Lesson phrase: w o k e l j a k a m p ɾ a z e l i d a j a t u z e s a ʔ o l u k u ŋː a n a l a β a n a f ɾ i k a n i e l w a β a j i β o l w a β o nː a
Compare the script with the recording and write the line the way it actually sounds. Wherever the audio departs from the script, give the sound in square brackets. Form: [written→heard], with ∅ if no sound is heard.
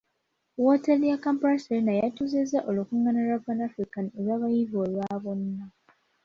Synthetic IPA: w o [k→t] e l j a k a m p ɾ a [z→s] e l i [d→n] a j a t u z e [s→z] a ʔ o l u k u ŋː a n a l a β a n a f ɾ i k a n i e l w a β a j i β o l w a β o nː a